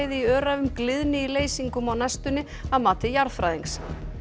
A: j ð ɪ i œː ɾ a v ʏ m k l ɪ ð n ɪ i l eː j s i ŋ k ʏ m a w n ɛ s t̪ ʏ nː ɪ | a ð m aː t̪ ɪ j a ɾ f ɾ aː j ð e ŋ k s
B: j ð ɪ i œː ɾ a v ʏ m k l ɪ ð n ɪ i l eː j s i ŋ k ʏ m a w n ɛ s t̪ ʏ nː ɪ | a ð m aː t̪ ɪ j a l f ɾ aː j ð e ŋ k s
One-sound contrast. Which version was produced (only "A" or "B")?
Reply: A